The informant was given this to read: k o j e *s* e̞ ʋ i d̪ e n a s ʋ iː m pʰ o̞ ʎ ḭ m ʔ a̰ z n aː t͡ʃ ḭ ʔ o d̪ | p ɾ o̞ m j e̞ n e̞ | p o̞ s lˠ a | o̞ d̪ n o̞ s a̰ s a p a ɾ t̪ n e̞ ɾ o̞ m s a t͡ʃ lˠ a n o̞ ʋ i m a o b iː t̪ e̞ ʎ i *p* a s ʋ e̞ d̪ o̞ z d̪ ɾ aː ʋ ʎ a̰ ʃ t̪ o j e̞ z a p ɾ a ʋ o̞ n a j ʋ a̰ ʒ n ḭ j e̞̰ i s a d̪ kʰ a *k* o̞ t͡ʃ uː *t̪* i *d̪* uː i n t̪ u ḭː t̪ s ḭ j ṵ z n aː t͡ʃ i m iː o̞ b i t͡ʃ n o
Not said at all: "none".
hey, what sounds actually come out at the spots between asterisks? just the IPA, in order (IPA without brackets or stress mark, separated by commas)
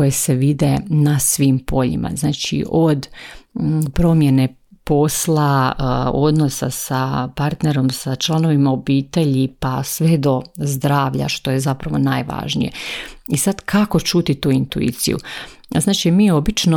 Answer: s, p, k, t̪, t̪